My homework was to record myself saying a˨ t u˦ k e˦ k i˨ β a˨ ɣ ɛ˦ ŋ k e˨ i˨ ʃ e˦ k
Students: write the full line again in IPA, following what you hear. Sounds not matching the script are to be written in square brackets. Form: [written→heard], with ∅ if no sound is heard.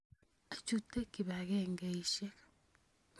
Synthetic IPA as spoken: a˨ [t→t͡ʃ] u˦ [k→t] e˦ k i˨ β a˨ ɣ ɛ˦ ŋ [k→ɡ] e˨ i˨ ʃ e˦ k